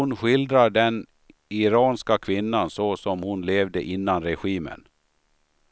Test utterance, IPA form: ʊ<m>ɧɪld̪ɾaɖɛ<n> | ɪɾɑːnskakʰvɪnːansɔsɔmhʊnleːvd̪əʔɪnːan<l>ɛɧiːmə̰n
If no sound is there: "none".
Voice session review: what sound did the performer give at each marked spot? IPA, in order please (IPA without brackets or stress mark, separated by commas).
n, n, ɾ